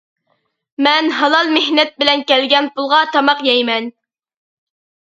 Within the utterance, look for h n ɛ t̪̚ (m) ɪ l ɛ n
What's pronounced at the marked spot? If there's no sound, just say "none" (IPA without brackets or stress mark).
b